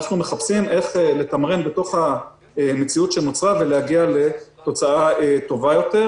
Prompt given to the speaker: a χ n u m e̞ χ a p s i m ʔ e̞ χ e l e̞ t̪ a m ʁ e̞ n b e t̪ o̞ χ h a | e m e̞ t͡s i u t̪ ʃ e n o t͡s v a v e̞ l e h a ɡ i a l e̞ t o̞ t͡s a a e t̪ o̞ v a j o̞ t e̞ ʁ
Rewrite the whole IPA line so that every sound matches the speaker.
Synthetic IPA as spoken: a χ n u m e̞ χ a p s i m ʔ e̞ χ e l e̞ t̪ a m ʁ e̞ n b e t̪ o̞ χ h a | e m e̞ t͡s i u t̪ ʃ e n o t͡s ʁ a v e̞ l e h a ɡ i a l e̞ t o̞ t͡s a a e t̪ o̞ v a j o̞ t e̞ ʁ